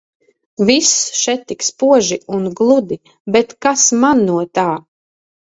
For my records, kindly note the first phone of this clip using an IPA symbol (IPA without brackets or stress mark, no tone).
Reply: v